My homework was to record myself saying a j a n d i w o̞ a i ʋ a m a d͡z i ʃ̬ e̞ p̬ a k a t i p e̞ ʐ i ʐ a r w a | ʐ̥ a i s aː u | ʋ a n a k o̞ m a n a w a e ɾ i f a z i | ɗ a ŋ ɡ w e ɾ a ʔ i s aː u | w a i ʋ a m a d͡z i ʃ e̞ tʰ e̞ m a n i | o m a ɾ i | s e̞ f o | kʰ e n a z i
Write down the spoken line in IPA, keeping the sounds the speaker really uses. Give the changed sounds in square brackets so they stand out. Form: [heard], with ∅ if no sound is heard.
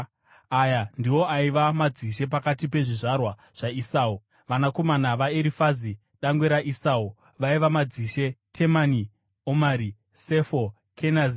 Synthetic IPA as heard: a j a n d i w o̞ a i ʋ a m a d͡z i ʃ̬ e̞ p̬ a k a t i p e̞ ʐ i ʐ a r w a | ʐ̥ a i s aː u | ʋ a n a k o̞ m a n a [ʋ] a e ɾ i f a z i | ɗ a ŋ ɡ w e ɾ a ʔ i s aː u | [ʋ] a i ʋ a m a d͡z i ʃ e̞ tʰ e̞ m a n i | o m a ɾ i | s e̞ f o | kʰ e n a z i